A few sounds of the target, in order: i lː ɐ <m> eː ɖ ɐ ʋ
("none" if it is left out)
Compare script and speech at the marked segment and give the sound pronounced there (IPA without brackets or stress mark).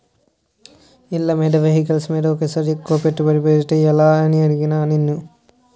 m